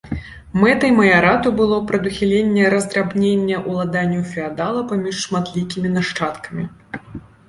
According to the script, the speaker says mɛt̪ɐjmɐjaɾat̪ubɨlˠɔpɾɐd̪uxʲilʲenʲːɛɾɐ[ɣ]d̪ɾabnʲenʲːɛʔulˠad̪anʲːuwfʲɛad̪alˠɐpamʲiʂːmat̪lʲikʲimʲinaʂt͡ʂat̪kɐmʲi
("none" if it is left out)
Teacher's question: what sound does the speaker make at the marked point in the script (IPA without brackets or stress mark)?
z